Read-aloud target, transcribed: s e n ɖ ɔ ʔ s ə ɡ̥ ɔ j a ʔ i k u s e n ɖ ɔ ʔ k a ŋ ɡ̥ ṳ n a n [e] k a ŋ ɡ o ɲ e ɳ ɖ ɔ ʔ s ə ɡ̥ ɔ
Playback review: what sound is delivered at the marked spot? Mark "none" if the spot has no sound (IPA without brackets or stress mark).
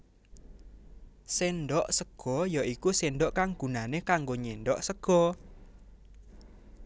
e